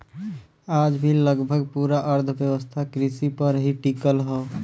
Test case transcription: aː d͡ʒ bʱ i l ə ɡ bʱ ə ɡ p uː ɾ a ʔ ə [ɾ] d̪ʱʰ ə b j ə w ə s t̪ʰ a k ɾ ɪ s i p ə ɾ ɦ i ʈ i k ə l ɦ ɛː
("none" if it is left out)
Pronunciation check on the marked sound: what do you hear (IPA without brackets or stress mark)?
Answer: ɾ